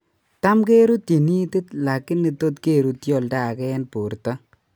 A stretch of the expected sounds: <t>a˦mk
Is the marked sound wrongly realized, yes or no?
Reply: no